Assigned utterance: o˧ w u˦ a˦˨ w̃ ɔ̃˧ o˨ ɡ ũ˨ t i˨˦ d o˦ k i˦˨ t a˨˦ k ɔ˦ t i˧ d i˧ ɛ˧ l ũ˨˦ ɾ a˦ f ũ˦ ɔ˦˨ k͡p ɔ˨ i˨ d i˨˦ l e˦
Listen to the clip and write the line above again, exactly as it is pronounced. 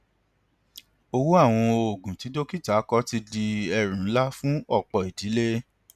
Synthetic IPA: o˧ w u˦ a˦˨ w̃ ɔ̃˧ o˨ ɡ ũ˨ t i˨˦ d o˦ k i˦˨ t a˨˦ k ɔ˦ t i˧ d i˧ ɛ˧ ɾ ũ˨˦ l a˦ f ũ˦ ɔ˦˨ k͡p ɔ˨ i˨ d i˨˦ l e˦

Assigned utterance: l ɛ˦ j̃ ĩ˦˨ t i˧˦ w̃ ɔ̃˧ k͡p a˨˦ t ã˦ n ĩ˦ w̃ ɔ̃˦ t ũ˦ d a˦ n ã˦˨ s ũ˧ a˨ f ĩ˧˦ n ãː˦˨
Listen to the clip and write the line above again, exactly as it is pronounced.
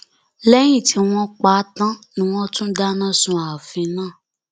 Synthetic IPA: l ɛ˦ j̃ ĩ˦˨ t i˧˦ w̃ ɔ̃˧ k͡p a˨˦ t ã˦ n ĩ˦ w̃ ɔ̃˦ t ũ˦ d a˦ n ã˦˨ s ũ˧ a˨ f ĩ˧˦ n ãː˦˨

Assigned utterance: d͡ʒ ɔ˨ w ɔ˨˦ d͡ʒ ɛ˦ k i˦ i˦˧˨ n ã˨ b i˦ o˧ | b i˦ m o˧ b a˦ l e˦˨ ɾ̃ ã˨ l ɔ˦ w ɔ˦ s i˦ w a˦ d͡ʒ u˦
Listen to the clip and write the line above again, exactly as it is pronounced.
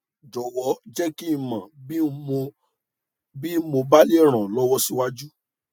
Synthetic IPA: d͡ʒ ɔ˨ w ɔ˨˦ d͡ʒ ɛ˦ k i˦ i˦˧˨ m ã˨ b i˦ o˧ | b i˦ m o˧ b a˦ l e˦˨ ɾ̃ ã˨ l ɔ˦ w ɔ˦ s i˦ w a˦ d͡ʒ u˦

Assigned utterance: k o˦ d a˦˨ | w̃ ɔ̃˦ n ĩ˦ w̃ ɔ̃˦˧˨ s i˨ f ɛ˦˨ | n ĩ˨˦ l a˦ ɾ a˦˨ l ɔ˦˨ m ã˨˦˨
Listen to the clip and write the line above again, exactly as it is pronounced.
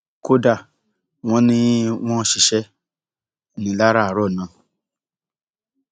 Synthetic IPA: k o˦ d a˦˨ | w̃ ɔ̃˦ n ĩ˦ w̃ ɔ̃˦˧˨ ʃ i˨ ʃ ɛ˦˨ | n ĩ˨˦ l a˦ ɾ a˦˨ ɾ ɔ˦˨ n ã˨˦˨

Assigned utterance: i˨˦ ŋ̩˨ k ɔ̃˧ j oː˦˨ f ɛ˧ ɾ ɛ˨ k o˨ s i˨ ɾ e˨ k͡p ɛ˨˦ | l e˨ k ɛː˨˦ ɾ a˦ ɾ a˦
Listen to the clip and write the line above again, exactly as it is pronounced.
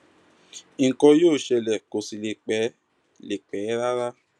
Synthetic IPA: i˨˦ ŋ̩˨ k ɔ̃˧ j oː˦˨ ʃ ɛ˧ l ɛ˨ k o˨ s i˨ l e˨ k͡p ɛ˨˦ | l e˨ k͡p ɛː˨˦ ɾ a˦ ɾ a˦

